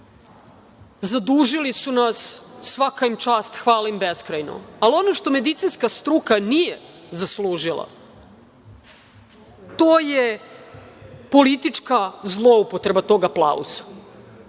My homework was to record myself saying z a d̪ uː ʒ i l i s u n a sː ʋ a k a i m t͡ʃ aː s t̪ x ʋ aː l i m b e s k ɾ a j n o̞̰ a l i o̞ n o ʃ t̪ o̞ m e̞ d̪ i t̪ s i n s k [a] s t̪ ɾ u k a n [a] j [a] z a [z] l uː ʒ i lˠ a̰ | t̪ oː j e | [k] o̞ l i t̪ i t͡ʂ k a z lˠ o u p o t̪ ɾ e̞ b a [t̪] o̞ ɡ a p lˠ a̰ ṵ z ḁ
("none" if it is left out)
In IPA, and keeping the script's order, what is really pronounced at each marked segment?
a, i, e, s, p, t̪

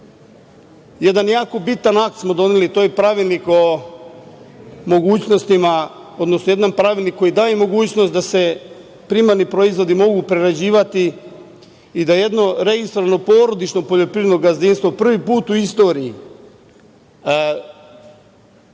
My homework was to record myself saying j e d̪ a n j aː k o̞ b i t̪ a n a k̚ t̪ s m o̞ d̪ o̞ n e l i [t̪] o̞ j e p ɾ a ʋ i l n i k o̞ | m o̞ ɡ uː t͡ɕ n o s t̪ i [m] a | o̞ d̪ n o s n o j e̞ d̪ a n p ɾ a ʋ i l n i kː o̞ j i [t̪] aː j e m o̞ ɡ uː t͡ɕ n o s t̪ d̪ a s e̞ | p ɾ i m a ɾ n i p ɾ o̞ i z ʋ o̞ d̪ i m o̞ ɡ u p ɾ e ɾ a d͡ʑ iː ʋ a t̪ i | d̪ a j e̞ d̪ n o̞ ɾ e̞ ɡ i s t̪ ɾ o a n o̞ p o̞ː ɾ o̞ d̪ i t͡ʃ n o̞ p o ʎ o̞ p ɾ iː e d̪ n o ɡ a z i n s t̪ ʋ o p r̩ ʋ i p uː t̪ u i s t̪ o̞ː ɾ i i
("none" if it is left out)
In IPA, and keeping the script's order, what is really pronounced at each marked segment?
t̪, m, d̪

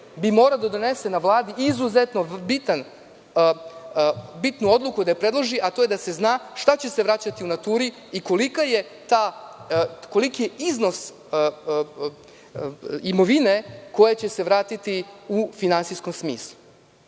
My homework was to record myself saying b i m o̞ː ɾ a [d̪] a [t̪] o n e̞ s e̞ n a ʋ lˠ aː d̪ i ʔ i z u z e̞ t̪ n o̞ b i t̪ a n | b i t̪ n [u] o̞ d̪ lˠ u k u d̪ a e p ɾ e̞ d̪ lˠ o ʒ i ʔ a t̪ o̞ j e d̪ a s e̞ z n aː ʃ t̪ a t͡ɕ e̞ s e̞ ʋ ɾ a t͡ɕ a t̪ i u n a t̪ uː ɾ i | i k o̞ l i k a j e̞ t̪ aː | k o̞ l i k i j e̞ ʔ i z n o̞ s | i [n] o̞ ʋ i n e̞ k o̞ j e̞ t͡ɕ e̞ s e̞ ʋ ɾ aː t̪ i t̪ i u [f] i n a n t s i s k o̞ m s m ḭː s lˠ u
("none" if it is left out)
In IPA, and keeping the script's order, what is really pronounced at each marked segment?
d̪, d̪, u, m, f

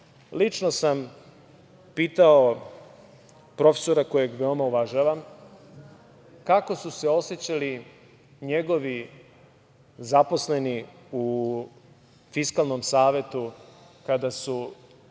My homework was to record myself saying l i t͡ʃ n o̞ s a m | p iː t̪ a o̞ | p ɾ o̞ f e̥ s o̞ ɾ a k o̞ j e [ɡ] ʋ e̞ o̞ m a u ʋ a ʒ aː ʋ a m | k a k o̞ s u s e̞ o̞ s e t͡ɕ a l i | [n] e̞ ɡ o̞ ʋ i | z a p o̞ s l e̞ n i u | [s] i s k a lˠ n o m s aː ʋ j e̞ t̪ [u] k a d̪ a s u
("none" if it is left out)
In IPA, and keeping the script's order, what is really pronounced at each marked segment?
ɡ, ɲ, f, u

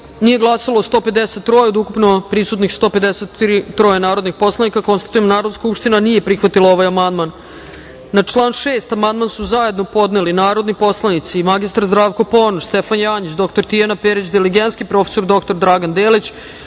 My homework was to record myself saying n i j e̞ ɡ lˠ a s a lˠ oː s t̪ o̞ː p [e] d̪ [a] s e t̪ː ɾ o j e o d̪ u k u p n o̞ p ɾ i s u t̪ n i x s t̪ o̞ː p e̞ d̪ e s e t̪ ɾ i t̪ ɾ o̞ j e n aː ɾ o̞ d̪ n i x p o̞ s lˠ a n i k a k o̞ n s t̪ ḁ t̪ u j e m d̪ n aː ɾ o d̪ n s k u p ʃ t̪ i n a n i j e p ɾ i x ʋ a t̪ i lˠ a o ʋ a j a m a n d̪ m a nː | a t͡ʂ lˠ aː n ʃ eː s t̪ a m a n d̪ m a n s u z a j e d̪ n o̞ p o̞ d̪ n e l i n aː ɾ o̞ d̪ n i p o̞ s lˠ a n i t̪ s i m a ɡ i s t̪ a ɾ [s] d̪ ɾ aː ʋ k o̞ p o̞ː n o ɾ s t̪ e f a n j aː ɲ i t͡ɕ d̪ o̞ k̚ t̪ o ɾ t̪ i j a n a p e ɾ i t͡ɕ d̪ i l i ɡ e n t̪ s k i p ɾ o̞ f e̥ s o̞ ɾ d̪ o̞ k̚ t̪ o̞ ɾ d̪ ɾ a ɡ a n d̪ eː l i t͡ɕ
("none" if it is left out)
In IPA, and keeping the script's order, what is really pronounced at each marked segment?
e, e, z

